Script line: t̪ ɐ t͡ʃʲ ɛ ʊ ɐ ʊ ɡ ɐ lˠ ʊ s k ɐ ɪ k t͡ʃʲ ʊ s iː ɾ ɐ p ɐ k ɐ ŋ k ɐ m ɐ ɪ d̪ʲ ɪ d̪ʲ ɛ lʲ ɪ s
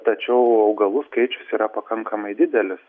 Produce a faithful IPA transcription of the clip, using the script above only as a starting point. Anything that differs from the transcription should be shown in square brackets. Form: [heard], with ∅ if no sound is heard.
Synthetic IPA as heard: t̪ ɐ t͡ʃʲ ɛ ʊ ɐ ʊ ɡ ɐ lˠ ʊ s k ɐ ɪ [∅] t͡ʃʲ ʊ s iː ɾ ɐ p ɐ k ɐ ŋ k ɐ m ɐ ɪ d̪ʲ ɪ d̪ʲ ɛ lʲ ɪ s